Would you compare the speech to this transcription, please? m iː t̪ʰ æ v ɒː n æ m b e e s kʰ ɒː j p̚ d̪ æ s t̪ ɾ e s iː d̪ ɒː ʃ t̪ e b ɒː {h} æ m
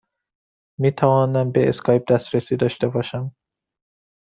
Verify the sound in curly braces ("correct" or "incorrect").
incorrect